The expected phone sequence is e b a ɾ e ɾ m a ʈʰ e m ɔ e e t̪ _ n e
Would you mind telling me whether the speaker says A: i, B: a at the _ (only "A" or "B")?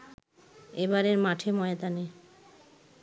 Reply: B